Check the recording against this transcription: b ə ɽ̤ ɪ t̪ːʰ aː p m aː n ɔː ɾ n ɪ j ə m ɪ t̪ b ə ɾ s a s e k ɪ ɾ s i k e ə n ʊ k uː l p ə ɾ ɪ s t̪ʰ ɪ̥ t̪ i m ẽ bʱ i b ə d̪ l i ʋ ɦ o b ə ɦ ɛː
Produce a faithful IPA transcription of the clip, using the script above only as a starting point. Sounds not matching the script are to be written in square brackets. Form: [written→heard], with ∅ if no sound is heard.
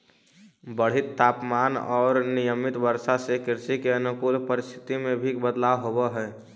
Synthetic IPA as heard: b ə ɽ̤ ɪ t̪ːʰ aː p m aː n ɔː ɾ n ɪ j ə m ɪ t̪ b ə ɾ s a s e k ɪ ɾ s i k e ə n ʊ k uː l p ə ɾ ɪ s t̪ʰ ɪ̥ t̪ i m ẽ bʱ i b ə d̪ l [i→a] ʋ ɦ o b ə ɦ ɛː